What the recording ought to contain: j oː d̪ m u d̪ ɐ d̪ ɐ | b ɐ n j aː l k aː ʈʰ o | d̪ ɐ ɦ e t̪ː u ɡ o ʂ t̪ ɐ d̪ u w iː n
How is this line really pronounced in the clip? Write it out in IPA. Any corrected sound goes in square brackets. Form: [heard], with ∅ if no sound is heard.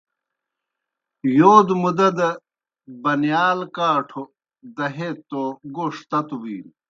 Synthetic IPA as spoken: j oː d̪ m u d̪ ɐ d̪ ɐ | b ɐ n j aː l k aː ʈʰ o | d̪ ɐ ɦ e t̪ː [o] ɡ o ʂ t̪ ɐ [t̪] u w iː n